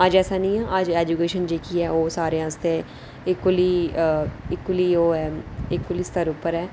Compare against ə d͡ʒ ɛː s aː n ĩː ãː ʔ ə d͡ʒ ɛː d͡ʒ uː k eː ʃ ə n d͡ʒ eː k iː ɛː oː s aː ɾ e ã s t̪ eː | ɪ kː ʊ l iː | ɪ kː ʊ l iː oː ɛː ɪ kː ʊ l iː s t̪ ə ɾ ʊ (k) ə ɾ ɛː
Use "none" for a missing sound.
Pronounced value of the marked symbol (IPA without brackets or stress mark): p